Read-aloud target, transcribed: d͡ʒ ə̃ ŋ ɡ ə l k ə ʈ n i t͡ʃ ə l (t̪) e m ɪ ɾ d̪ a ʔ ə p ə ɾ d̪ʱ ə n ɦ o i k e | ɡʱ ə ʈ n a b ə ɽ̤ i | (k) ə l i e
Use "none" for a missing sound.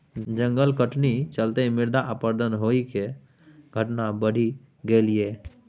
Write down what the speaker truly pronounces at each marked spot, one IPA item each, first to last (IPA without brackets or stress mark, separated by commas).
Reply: t̪, ɡ